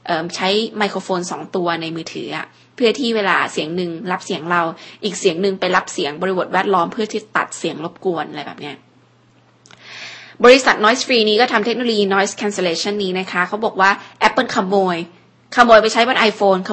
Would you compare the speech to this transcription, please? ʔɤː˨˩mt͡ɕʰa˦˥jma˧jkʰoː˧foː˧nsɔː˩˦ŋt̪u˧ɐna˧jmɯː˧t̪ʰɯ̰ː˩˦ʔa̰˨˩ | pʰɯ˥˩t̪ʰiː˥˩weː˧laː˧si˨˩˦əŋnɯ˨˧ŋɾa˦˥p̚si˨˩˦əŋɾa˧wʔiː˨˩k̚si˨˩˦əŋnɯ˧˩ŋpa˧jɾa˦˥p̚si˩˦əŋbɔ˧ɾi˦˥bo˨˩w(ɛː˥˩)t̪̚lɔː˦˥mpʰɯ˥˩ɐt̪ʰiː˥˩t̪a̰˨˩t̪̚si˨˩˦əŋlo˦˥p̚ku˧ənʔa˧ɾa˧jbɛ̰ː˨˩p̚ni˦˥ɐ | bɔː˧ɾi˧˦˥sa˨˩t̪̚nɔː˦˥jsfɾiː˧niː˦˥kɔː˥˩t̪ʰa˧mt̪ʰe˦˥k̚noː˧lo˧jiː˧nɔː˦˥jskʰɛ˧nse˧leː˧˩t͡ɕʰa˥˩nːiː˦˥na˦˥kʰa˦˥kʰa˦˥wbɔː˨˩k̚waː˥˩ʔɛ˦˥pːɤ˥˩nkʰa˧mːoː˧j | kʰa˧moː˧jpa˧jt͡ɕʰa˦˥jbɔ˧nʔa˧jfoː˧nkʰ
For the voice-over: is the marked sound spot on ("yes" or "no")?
yes